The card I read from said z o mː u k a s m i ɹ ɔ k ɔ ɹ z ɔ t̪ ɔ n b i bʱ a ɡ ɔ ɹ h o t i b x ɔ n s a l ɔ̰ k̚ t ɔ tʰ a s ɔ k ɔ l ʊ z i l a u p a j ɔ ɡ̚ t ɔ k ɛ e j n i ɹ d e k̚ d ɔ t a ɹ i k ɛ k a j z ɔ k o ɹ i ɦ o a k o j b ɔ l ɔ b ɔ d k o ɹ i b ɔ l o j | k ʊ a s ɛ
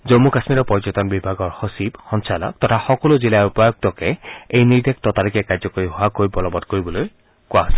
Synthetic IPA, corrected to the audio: z o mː u k a s m i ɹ ɔ p ɔ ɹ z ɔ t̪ ɔ n b i bʱ a ɡ ɔ ɹ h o s i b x ɔ n s a l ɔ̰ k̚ t ɔ tʰ a x ɔ k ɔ l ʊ z i l a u p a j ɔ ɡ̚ t ɔ k ɛ e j n i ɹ d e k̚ t ɔ t a ɹ i k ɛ k a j z ɔ k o ɹ i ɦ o a k o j b ɔ l ɔ b ɔ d k o ɹ i b ɔ l o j | k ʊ a s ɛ

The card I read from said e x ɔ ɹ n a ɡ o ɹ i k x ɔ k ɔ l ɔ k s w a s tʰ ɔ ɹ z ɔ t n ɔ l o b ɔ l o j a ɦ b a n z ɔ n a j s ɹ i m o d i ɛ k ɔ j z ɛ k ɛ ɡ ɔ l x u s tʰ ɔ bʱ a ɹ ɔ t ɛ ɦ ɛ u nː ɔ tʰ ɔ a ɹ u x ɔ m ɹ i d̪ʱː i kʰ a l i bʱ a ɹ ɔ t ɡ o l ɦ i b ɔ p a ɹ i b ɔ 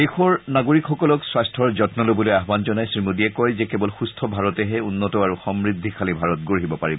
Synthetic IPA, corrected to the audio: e x ɔ ɹ n a ɡ o ɹ i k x ɔ k ɔ l ɔ k s w a s tʰ ɔ ɹ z ɔ t n ɔ l o b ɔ l o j a ɦ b a n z ɔ n a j s ɹ i m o d i ɛ k ɔ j z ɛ k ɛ b ɔ l x u s tʰ ɔ bʱ a ɹ ɔ t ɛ ɦ ɛ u nː ɔ t ɔ a ɹ u x ɔ m ɹ i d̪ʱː i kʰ a l i bʱ a ɹ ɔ t ɡ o ɹ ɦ i b ɔ p a ɹ i b ɔ

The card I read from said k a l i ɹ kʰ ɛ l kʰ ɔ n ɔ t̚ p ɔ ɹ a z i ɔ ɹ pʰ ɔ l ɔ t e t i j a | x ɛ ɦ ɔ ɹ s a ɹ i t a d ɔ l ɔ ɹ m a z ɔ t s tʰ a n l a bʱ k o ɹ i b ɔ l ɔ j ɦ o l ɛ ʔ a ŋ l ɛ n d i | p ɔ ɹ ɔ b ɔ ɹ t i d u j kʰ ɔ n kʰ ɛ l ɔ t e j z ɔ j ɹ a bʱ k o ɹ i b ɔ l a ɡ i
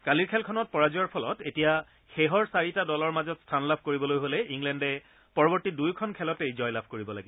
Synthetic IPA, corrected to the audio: k a l i ɹ kʰ ɛ l kʰ ɔ n ɔ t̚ p ɔ ɹ a z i ɔ ɹ pʰ ɔ l ɔ t e t i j a | x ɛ ɦ ɔ ɹ s a ɹ i t a d ɔ l ɔ ɹ m a z ɔ t s tʰ a n l a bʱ k o ɹ i b ɔ l o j ɦ o l ɛ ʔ i ŋ l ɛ n d ɛ | p ɔ ɹ ɔ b ɔ ɹ t i d u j kʰ ɔ n kʰ ɛ l ɔ t e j z ɔ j l a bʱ k o ɹ i b ɔ l a ɡ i

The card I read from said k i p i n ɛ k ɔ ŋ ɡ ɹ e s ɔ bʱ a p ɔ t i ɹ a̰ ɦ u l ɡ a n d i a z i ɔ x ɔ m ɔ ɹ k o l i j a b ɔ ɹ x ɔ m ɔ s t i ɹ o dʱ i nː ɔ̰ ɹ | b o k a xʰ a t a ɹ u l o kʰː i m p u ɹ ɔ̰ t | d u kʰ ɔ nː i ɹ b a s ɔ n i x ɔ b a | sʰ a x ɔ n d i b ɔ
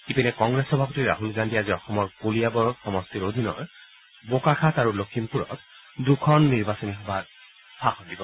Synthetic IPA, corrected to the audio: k i p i n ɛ k ɔ ŋ ɡ ɹ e s ɔ bʱ a p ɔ t i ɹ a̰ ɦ u l ɡ a n d i a z i ɔ x ɔ m ɔ ɹ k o l i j a b ɔ ɹ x ɔ m ɔ s t i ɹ o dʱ i n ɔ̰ ɹ | b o k a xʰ a t a ɹ u l o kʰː i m p u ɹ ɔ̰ t | d u kʰ ɔ nː i ɹ b a s ɔ n i x ɔ b a | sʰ a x ɔ n d i b ɔ

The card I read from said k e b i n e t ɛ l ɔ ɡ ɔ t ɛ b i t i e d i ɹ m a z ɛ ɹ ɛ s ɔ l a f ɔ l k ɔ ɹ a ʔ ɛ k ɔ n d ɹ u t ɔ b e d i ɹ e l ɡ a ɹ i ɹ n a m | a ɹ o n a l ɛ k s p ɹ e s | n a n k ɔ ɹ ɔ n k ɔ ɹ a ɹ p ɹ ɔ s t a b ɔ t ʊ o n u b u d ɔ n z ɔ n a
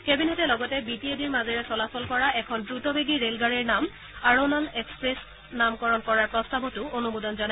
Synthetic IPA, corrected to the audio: k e b i n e t ɛ l ɔ ɡ ɔ t ɛ b i t i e d i ɹ m a z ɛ ɹ ɛ s ɔ l a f ɔ l k ɔ ɹ a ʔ ɛ kʰ ɔ n d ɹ u t ɔ b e ɡ i ɹ e l ɡ a ɹ i ɹ n a m | a ɹ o n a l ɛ k s p ɹ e s | n a m k ɔ ɹ ɔ n k ɔ ɹ a ɹ p ɹ ɔ s t a b ɔ t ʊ o n u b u d ɔ n z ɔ n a

